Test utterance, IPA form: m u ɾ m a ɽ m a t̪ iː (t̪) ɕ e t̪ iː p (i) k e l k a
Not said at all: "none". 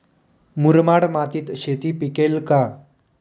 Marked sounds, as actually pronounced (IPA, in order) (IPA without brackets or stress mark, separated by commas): t̪, i